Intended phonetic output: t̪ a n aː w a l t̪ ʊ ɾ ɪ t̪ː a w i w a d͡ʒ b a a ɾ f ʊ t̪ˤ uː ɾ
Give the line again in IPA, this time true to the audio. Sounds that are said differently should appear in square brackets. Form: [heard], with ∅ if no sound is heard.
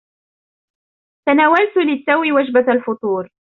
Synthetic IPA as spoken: t̪ a n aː w a l t̪ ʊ [l] ɪ t̪ː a w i w a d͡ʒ b a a [l] f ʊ t̪ˤ uː ɾ